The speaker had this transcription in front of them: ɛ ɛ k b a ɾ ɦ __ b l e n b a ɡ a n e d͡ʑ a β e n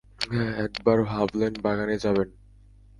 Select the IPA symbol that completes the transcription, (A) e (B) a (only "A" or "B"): B